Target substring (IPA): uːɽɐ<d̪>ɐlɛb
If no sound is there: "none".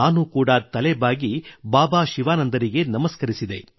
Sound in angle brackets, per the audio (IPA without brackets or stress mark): t̪